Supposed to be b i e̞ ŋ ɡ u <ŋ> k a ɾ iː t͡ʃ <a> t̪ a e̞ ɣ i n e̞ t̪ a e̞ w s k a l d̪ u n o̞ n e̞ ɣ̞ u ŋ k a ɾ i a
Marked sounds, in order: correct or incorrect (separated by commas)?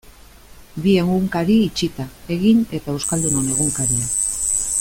correct, incorrect